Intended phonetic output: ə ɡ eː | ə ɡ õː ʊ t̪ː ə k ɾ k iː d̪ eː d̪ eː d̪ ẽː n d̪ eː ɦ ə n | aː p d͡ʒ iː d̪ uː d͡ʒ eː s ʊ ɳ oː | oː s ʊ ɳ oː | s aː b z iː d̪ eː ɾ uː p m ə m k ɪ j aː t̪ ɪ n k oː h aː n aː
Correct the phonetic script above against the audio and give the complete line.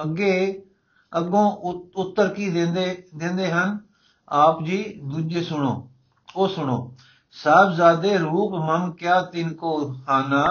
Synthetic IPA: ə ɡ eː | ə ɡ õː ʊ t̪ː ə ɾ k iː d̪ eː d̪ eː d̪ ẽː n d̪ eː ɦ ə n | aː p d͡ʒ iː d̪ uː d͡ʒ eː s ʊ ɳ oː | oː s ʊ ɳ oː | s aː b z aː d̪ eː ɾ uː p m ə m k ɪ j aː t̪ ɪ n k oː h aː n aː